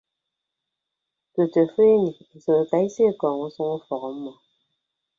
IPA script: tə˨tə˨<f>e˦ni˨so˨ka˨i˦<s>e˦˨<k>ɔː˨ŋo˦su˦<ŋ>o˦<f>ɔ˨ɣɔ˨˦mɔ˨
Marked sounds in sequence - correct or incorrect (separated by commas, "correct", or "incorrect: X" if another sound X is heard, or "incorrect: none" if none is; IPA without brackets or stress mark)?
correct, correct, correct, correct, correct